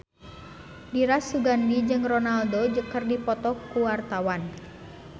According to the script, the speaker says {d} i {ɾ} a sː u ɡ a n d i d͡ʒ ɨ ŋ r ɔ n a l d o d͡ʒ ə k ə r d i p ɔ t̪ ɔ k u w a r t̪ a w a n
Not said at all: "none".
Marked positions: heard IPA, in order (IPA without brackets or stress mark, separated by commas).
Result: d, ɾ